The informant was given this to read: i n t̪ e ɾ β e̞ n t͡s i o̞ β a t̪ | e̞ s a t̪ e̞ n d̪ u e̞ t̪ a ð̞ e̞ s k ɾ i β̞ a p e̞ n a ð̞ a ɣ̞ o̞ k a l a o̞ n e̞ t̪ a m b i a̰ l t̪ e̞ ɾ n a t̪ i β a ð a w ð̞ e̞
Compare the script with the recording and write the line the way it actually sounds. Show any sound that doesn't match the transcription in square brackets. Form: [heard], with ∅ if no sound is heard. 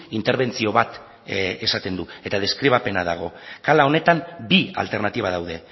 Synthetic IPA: i n t̪ e ɾ β e̞ n t͡s i o̞ β a t̪ | e̞ s a t̪ e̞ n d̪ u e̞ t̪ a ð̞ e̞ s k ɾ i β̞ a p e̞ n a ð̞ a ɣ̞ o̞ k a l a o̞ n e̞ t̪ a m b i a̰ l t̪ e̞ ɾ n a t̪ i β a ð a w ð̞ e̞